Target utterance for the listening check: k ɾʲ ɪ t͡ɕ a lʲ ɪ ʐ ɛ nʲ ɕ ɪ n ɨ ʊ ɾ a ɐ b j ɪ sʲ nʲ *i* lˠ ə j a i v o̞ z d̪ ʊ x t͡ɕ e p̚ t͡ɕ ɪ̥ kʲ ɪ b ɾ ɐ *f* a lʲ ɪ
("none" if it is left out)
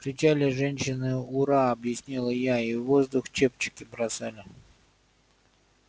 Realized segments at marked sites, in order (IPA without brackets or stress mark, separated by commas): i, s